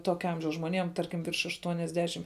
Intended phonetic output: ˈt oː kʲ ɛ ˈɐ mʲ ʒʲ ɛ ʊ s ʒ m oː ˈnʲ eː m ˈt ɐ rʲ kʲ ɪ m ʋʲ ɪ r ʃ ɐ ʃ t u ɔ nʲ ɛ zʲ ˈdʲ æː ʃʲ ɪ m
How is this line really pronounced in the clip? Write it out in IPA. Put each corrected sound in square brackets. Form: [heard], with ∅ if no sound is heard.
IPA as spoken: ˈt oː kʲ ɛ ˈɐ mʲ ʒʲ ɛ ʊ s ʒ m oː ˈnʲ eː m ˈt ɐ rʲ kʲ ɪ m ʋʲ ɪ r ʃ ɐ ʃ t u ɔ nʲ ɛ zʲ ˈdʲ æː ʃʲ ɪ m